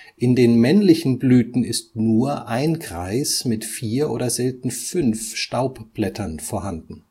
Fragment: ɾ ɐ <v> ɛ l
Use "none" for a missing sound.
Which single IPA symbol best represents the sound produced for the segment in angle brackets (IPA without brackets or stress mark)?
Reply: z